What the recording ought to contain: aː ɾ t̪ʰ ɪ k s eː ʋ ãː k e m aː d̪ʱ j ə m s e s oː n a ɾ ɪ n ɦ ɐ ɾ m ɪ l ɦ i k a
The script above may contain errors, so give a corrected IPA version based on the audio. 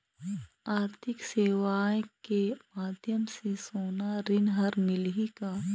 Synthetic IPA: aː ɾ t̪ʰ ɪ k s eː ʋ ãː k e m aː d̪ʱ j ə m s e s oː n a ɾ ɪ n ɦ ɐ ɾ m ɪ l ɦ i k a